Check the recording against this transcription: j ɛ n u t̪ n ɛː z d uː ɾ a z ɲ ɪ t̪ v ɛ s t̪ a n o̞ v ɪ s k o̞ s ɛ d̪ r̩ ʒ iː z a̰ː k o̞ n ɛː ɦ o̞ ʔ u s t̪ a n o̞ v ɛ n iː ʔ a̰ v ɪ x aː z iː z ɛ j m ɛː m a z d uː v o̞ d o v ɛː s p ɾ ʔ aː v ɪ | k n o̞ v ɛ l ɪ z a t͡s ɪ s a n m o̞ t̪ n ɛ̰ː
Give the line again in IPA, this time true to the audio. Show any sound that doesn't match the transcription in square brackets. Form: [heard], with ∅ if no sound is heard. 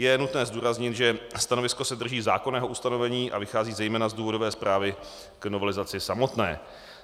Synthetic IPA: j ɛ n u t̪ n ɛː z d uː ɾ a z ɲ ɪ t̪ [ʒ] ɛ s t̪ a n o̞ v ɪ s k o̞ s ɛ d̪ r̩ ʒ iː z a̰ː k o̞ n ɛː ɦ o̞ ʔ u s t̪ a n o̞ v ɛ [ɲ] iː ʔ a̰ v ɪ x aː z iː z ɛ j m ɛː [n] a z d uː v o̞ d o v ɛː s p ɾ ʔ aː v ɪ | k n o̞ v ɛ l ɪ z a t͡s ɪ s a [∅] m o̞ t̪ n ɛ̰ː